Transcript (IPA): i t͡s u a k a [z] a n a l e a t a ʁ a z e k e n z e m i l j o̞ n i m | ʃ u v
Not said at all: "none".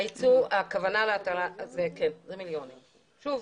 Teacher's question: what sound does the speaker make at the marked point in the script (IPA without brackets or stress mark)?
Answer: v